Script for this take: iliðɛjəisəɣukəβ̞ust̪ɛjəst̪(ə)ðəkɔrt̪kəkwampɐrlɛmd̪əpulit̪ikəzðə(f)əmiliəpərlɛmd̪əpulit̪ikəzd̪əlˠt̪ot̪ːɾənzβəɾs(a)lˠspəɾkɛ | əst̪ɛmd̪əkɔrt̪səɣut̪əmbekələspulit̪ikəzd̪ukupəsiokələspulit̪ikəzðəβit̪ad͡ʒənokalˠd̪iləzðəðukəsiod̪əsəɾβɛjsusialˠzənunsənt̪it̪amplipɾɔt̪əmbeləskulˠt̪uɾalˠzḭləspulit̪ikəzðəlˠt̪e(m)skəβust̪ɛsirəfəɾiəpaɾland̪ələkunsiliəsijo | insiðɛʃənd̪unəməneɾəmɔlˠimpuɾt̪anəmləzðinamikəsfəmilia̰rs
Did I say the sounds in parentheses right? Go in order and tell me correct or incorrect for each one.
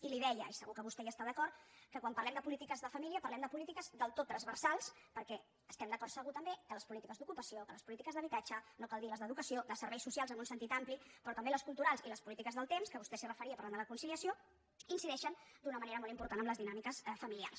incorrect: a, correct, correct, correct

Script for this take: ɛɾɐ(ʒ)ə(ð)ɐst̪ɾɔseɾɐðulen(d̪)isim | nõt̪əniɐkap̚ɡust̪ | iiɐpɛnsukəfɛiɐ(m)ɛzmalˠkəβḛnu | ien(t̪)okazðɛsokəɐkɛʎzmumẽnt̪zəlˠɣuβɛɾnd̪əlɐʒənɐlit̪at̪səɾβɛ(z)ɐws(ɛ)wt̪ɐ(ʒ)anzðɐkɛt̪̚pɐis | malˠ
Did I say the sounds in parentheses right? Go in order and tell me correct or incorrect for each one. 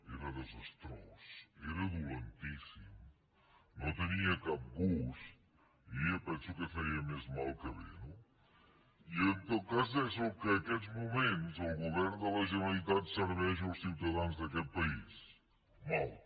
incorrect: ð, incorrect: z, incorrect: t̪, correct, correct, incorrect: ʒ, incorrect: i, incorrect: ð

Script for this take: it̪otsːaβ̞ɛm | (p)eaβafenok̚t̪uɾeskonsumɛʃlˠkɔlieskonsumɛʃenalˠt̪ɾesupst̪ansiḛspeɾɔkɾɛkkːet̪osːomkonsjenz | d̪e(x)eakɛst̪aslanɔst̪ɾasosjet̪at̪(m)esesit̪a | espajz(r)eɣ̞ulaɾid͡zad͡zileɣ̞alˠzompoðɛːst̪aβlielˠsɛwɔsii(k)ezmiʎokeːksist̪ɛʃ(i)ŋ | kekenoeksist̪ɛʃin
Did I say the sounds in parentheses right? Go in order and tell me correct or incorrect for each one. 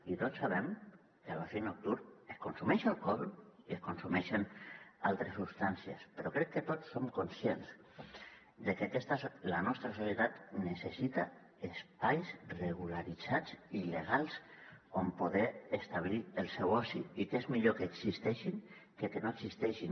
incorrect: k, incorrect: k, incorrect: n, correct, correct, correct

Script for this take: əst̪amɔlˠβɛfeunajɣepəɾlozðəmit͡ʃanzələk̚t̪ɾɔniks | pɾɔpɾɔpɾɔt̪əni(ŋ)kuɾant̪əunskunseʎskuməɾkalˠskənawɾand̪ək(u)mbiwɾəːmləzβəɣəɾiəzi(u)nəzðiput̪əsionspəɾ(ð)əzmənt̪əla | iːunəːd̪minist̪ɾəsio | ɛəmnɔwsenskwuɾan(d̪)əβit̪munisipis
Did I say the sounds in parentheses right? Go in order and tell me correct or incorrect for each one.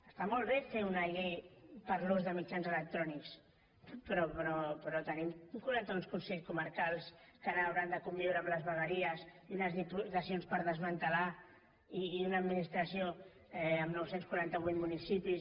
incorrect: m, correct, correct, correct, incorrect: t̪

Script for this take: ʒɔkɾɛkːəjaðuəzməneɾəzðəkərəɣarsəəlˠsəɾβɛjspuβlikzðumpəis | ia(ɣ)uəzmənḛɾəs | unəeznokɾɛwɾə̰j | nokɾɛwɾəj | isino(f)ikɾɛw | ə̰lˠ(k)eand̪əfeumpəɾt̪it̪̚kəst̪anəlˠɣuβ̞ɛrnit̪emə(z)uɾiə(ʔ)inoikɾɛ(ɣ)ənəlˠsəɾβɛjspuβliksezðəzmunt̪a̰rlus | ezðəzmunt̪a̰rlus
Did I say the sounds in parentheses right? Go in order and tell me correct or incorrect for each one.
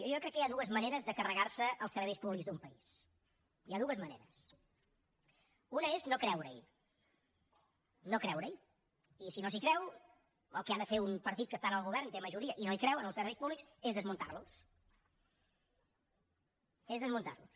incorrect: ð, incorrect: s, correct, incorrect: ʒ, correct, incorrect: w

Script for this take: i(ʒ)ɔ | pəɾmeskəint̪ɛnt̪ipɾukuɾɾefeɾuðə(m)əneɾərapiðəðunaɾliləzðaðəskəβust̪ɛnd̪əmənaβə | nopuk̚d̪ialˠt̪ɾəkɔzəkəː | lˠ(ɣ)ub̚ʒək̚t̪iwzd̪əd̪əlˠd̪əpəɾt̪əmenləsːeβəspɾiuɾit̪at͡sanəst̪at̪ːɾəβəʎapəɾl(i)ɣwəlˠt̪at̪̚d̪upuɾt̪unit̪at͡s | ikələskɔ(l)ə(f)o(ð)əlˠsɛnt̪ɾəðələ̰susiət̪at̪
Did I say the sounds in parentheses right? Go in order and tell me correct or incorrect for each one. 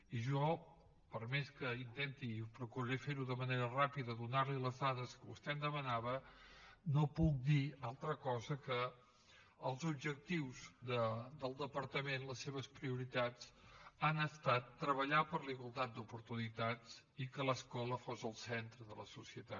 correct, correct, incorrect: z, correct, correct, correct, incorrect: z

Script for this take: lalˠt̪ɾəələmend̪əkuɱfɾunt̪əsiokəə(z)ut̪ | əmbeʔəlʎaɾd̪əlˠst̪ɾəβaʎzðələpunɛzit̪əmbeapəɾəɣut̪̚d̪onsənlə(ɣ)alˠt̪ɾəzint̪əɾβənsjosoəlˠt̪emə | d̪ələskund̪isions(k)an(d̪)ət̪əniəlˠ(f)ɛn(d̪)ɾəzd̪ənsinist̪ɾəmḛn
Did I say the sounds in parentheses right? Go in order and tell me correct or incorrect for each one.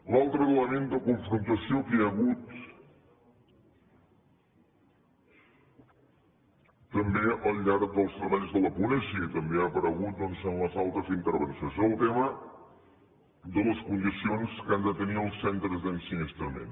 incorrect: ɣ, incorrect: z, correct, correct, incorrect: s, incorrect: t̪

